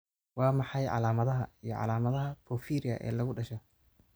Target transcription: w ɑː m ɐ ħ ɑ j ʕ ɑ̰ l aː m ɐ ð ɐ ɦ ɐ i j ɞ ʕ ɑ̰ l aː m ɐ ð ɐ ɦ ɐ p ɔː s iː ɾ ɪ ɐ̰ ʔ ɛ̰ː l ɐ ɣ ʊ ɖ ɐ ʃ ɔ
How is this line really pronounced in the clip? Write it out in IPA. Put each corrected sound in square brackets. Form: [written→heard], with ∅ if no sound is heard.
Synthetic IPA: w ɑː m [ɐ→ɑ] ħ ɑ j ʕ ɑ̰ l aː m ɐ ð ɐ ɦ ɐ i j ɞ ʕ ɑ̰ l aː m ɐ ð ɐ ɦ ɐ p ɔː [s→f] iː ɾ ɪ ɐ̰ ʔ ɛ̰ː l ɐ ɣ ʊ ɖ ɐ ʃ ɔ